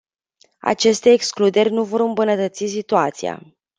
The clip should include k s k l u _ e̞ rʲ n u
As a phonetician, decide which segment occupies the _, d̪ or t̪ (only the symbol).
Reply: d̪